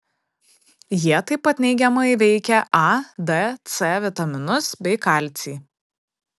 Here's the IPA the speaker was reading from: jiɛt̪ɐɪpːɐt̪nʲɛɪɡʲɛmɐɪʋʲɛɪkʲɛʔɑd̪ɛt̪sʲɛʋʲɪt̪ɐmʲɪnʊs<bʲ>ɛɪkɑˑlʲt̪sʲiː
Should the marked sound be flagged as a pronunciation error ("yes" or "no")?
no